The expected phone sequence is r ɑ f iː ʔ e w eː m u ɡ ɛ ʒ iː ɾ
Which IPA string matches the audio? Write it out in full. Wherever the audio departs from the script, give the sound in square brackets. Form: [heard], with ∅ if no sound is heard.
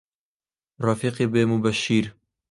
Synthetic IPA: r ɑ f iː [q] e [b] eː m u [b] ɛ [ʃ] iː ɾ